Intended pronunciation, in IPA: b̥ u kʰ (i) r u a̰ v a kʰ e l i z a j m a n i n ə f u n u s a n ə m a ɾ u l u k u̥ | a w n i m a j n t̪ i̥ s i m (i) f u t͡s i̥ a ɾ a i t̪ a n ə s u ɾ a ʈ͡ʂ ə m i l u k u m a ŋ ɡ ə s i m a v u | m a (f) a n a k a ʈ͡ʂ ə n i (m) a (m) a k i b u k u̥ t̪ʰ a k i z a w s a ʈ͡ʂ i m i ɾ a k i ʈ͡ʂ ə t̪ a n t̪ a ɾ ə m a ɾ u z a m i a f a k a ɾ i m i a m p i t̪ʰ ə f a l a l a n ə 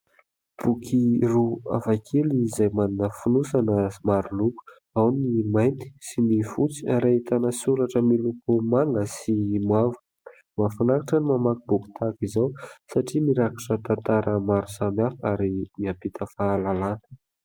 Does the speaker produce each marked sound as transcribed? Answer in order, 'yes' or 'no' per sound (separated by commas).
yes, yes, yes, yes, yes